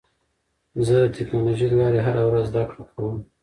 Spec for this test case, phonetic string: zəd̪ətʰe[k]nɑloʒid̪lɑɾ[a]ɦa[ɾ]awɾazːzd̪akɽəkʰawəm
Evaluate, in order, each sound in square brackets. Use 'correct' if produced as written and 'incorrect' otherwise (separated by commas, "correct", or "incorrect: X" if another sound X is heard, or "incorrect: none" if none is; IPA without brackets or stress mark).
correct, incorrect: e, correct